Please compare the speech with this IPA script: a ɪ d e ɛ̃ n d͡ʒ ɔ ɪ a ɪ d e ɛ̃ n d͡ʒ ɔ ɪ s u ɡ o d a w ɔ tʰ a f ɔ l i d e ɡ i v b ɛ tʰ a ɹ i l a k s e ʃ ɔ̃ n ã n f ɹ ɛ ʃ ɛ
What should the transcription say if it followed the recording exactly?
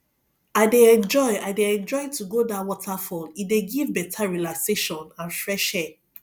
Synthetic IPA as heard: a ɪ d e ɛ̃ n d͡ʒ ɔ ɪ a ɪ d e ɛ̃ n d͡ʒ ɔ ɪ t u ɡ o d a w ɔ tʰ a f ɔ l i d e ɡ i v b ɛ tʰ a ɹ i l a k s e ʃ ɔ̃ n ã n f ɹ ɛ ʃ ɛ